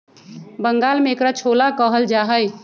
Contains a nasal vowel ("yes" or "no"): no